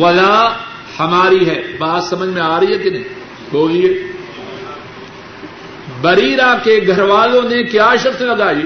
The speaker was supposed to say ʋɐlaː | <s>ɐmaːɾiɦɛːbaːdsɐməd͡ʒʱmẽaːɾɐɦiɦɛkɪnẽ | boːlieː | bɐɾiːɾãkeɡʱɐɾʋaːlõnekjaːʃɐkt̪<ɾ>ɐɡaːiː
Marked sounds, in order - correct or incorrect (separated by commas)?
incorrect, incorrect